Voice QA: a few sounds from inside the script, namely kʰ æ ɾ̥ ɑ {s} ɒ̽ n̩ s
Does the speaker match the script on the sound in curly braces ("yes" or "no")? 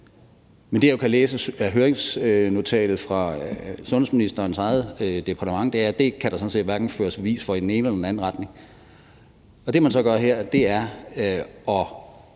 yes